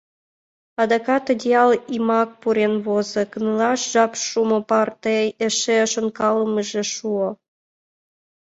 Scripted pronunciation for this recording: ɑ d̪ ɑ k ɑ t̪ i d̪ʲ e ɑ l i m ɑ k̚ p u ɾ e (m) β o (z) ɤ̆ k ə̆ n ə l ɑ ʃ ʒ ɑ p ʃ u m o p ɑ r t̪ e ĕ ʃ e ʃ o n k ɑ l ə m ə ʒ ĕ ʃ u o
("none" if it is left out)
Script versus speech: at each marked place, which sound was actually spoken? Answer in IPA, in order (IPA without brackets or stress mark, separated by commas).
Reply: n, z